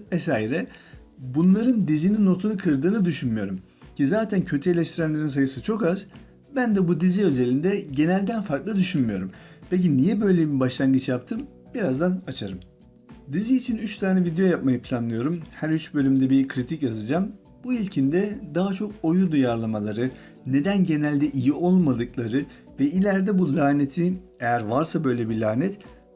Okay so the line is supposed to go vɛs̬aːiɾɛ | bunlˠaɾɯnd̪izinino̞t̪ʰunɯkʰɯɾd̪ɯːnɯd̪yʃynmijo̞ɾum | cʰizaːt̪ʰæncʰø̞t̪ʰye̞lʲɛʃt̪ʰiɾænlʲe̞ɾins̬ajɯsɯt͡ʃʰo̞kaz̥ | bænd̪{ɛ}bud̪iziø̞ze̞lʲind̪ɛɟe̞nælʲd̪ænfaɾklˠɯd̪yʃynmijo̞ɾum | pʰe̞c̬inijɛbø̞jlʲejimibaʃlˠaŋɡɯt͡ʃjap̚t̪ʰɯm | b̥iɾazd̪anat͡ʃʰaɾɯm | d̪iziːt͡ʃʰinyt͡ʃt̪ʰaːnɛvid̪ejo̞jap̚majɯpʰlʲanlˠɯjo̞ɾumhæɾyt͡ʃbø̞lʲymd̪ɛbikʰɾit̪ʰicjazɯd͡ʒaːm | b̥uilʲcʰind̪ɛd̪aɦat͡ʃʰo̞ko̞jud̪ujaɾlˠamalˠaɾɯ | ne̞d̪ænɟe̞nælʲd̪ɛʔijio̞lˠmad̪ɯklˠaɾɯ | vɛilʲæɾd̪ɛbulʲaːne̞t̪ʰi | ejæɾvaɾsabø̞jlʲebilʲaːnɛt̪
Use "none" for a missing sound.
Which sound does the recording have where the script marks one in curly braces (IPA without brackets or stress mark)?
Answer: ɛ